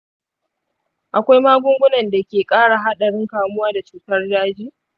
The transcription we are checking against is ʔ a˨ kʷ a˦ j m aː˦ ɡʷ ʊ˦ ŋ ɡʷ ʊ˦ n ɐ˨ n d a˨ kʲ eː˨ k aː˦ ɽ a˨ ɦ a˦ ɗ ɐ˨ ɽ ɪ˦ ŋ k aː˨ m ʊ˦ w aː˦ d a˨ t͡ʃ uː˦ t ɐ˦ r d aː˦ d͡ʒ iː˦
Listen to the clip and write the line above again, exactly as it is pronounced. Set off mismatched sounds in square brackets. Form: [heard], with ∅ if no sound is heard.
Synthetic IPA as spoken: ʔ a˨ kʷ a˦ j m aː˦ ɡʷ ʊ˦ ŋ ɡʷ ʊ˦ n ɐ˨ n d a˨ kʲ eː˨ [kʼ] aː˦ ɽ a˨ ɦ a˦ ɗ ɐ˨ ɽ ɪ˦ ŋ k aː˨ m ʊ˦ w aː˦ d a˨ t͡ʃ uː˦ t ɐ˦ r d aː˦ d͡ʒ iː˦